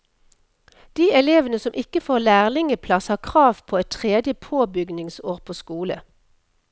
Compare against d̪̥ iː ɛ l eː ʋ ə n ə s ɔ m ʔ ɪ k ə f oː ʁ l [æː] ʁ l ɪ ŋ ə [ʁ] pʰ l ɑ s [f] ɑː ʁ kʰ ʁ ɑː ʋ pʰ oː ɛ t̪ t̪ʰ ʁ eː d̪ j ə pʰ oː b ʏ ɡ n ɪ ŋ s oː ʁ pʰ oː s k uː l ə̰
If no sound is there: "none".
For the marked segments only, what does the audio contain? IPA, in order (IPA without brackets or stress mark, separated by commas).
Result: æː, none, h